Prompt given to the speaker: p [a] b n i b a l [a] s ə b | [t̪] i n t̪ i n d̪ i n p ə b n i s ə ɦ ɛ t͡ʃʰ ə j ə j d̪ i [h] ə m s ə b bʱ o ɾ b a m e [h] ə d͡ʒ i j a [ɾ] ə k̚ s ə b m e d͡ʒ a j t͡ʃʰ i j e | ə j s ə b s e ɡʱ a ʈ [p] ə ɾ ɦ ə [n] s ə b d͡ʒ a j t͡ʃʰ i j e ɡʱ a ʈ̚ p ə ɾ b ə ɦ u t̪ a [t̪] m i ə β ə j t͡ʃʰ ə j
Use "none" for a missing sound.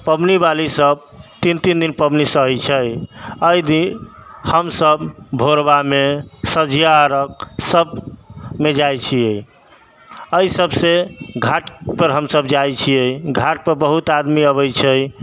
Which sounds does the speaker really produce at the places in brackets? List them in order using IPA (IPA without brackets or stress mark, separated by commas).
ə, i, t̪, h, s, ɾ, p, m, d̪